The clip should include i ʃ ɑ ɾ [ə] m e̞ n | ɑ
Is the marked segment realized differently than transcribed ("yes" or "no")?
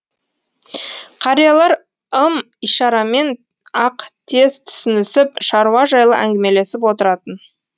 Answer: yes